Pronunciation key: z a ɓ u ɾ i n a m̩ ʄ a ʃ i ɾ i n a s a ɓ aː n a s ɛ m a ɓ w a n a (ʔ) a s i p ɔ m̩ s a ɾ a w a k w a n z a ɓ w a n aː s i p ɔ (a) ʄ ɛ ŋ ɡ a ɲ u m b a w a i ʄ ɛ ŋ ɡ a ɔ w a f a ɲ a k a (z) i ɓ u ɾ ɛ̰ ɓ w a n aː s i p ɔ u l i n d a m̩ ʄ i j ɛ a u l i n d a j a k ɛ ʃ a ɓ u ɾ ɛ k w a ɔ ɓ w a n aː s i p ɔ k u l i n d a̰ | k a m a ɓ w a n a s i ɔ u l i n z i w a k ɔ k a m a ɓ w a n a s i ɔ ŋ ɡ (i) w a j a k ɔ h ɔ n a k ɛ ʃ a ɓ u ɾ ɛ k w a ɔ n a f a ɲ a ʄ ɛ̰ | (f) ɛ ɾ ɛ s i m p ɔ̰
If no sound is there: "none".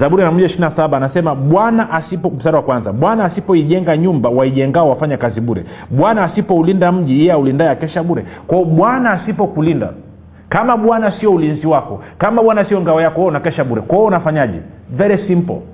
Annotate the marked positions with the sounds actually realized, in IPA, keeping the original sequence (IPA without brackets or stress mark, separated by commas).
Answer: ʔ, i, z, a, v